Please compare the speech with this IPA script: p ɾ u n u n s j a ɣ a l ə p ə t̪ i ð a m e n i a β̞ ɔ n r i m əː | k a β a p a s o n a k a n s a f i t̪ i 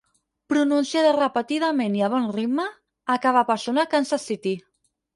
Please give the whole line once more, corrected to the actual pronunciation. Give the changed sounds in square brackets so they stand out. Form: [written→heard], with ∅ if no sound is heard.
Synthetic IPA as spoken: p ɾ u n u n s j a [ɣ→ð] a [l→r] ə p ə t̪ i ð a m e n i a β̞ ɔ n r i m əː | k a β a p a s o n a k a n s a [f→s] i t̪ i